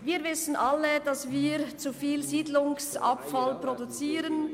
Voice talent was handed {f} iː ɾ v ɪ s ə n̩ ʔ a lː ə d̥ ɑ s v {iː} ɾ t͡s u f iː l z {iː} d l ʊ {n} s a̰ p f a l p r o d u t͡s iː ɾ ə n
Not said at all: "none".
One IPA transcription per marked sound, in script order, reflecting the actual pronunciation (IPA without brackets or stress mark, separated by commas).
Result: v, iː, iː, ŋ